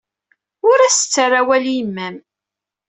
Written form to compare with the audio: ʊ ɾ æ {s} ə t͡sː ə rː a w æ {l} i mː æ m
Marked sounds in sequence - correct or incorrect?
correct, correct

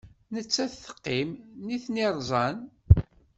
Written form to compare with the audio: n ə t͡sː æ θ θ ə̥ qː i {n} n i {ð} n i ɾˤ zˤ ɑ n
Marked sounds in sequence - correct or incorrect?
incorrect: m, incorrect: θ

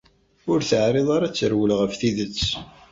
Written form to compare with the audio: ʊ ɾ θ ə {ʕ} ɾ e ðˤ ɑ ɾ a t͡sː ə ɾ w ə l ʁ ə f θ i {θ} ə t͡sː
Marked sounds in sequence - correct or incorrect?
correct, incorrect: ð

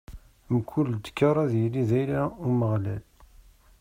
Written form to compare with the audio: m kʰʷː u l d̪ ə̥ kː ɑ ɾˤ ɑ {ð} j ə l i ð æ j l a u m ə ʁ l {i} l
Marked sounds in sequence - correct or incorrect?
correct, incorrect: æ

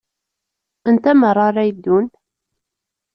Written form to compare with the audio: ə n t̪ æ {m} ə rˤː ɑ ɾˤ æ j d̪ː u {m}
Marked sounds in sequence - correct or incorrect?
correct, incorrect: n

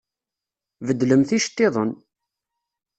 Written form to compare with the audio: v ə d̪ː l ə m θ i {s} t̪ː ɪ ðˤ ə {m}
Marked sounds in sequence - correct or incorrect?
incorrect: ʃ, incorrect: n

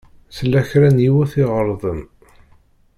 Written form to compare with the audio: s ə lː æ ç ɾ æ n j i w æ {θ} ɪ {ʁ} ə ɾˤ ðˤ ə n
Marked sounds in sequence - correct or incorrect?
correct, correct

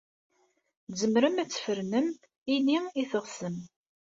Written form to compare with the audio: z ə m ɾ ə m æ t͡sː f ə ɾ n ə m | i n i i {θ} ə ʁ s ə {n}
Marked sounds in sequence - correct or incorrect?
correct, incorrect: m

